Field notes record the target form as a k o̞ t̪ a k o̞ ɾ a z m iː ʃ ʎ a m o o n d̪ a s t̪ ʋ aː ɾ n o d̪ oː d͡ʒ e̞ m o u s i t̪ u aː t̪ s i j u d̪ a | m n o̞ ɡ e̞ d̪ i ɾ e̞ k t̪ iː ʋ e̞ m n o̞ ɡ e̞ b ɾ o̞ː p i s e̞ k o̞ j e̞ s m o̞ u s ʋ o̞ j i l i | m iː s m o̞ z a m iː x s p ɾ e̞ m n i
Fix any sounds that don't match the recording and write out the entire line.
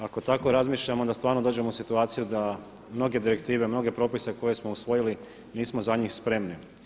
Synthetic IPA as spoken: a k o̞ t̪ a k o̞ ɾ a z m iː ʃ ʎ a m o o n d̪ a s t̪ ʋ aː ɾ n o d̪ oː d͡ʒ e̞ m o u s i t̪ u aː t̪ s i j u d̪ a | m n o̞ ɡ e̞ d̪ i ɾ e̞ k t̪ iː ʋ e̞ m n o̞ ɡ e̞ p ɾ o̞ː p i s e̞ k o̞ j e̞ s m o̞ u s ʋ o̞ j i l i | n iː s m o̞ z a ɲ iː x s p ɾ e̞ m n i

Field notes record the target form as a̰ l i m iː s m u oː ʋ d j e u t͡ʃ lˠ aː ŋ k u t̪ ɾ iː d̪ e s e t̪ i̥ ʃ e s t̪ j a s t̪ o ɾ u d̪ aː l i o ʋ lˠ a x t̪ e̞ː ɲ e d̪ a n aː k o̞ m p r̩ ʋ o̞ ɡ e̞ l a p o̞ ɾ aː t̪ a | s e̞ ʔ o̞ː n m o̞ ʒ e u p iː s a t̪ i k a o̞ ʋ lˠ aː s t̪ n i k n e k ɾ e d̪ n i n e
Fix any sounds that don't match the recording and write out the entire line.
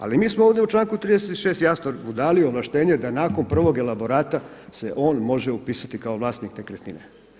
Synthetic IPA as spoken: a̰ l i m iː s m o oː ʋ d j e u t͡ʃ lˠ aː ŋ k u t̪ ɾ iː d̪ e s e t̪ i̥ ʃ e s t̪ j a s t̪ o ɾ u d̪ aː l i o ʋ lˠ a ʃ t̪ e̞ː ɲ e d̪ a n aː k o̞ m p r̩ ʋ o̞ ɡ e̞ l a b o̞ ɾ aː t̪ a | s e̞ ʔ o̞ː n m o̞ ʒ e u p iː s a t̪ i k a o̞ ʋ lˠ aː s t̪ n i k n e k ɾ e t̪ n i n e

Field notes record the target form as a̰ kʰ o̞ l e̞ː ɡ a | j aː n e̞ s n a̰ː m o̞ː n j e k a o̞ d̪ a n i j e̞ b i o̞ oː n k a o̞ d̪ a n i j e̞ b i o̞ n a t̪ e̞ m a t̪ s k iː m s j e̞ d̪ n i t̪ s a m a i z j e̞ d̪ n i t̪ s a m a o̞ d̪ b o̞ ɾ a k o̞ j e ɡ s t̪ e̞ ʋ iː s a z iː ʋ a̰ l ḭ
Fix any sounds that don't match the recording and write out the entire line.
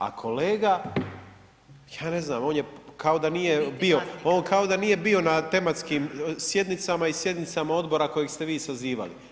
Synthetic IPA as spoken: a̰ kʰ o̞ l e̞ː ɡ a | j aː n e̞ z n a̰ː m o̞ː n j e k a o̞ d̪ a n i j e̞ b i o̞ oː n k a o̞ d̪ a n i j e̞ b i o̞ n a t̪ e̞ m a t̪ s k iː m s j e̞ d̪ n i t̪ s a m a i s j e̞ d̪ n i t̪ s a m a o̞ d̪ b o̞ ɾ a k o̞ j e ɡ s t̪ e̞ ʋ iː s a z iː ʋ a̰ l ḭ

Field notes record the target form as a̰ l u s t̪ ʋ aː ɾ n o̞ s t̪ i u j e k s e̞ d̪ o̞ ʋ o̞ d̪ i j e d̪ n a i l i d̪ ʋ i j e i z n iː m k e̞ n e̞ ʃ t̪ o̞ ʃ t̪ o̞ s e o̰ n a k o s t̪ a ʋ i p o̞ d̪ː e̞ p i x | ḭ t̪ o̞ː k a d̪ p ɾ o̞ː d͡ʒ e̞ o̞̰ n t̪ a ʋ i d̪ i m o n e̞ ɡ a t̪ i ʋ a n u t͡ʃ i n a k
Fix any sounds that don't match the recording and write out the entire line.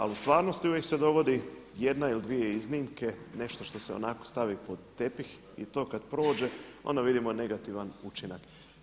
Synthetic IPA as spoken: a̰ l u s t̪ ʋ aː ɾ n o̞ s t̪ i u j e k s e̞ d̪ o̞ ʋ o̞ d̪ i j e d̪ n a i l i d̪ ʋ i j e i z n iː m k e̞ n e̞ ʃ t̪ o̞ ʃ t̪ o̞ s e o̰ n a k o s t̪ a ʋ i p o̞ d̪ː e̞ p i x | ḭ t̪ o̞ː k a d̪ p ɾ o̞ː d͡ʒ e̞ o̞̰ n d̪ a ʋ i d̪ i m o n e̞ ɡ a t̪ i ʋ a n u t͡ʃ i n a k

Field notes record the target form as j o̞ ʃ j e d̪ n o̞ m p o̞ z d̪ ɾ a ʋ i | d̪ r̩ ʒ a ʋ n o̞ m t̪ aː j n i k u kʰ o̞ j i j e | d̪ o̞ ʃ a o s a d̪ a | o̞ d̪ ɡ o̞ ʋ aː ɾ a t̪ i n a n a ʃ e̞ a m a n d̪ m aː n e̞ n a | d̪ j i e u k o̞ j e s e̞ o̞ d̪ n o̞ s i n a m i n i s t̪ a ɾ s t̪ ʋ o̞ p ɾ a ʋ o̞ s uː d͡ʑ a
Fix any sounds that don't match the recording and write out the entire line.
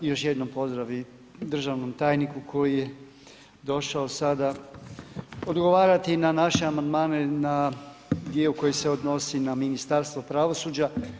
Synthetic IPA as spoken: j o̞ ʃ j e d̪ n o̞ m p o̞ z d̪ ɾ a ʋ i | d̪ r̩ ʒ a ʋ n o̞ m t̪ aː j n i k u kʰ o̞ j i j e | d̪ o̞ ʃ a o s a d̪ a | o̞ d̪ ɡ o̞ ʋ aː ɾ a t̪ i n a n a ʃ e̞ a m a n d̪ m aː n e̞ n a | d̪ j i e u k o̞ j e s e̞ o̞ d̪ n o̞ s i n a m i n i s t̪ a ɾ s t̪ ʋ o̞ p ɾ a ʋ o̞ s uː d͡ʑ a

